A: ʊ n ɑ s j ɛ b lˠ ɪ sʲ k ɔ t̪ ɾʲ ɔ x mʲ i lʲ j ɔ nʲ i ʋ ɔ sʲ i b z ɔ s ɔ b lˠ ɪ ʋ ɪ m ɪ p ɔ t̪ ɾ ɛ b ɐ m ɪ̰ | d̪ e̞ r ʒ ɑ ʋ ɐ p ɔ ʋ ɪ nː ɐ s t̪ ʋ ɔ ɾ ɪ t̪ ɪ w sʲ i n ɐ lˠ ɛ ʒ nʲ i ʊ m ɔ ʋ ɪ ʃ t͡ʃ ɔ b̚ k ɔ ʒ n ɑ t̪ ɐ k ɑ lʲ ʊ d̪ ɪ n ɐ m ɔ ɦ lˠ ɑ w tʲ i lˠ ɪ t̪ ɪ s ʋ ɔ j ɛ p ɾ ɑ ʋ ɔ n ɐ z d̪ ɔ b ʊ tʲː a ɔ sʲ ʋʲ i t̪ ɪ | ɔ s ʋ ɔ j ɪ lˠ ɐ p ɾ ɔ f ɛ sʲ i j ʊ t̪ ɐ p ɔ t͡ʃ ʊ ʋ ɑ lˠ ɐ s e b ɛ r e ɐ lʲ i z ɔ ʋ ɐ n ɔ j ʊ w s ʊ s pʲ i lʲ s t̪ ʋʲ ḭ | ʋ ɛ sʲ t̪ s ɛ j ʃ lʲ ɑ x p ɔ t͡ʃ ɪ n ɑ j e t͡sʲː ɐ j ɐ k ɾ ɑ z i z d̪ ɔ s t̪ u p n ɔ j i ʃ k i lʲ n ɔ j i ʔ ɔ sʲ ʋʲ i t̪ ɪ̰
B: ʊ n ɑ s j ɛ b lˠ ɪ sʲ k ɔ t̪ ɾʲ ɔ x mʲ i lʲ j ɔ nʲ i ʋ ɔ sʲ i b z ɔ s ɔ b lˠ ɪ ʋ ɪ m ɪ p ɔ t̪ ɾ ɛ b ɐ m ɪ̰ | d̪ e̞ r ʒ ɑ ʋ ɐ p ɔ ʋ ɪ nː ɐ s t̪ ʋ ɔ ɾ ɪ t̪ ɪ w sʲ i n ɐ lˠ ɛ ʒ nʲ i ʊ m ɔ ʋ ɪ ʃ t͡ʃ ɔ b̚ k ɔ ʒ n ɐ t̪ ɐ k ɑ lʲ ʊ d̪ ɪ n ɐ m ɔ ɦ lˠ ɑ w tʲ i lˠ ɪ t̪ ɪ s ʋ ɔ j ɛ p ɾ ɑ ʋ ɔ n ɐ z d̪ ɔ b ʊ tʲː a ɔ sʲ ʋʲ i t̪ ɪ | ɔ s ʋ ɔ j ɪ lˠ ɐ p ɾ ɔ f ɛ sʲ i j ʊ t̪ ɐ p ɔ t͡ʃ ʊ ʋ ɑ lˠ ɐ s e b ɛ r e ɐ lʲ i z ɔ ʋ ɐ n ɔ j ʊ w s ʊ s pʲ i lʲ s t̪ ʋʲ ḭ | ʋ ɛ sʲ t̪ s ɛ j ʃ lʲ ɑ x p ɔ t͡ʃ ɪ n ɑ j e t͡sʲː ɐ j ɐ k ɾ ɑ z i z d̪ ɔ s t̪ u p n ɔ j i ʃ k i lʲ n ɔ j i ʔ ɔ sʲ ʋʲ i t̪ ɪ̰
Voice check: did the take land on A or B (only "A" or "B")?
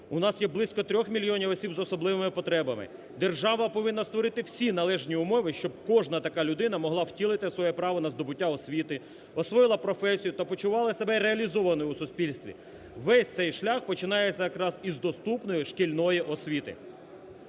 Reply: B